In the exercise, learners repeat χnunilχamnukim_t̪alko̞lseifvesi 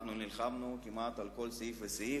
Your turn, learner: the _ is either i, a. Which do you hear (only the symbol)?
a